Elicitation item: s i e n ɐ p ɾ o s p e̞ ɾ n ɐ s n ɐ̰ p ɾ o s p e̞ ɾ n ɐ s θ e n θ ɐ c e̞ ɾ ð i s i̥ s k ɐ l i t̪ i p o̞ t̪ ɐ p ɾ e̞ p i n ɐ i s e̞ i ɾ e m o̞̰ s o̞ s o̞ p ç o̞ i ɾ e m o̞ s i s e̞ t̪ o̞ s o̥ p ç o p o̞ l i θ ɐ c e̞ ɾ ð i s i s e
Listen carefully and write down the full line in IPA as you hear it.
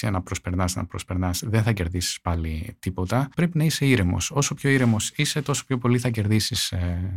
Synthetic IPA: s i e n ɐ p ɾ o s p e̞ ɾ n ɐ s n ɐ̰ p ɾ o s p e̞ ɾ n ɐ s ð e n θ ɐ c e̞ ɾ ð i s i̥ s p ɐ l i t̪ i p o̞ t̪ ɐ p ɾ e̞ p i n ɐ i s e̞ i ɾ e m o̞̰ s o̞ s o̞ p ç o̞ i ɾ e m o̞ s i s e̞ t̪ o̞ s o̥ p ç o p o̞ l i θ ɐ c e̞ ɾ ð i s i s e